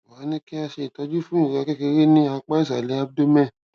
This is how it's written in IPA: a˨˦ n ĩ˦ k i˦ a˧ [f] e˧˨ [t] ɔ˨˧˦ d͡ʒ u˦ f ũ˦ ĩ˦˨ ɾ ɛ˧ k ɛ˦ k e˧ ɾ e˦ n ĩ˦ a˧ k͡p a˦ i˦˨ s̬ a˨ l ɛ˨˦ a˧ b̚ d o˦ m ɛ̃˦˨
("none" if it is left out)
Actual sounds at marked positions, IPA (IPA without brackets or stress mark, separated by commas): ʃ, t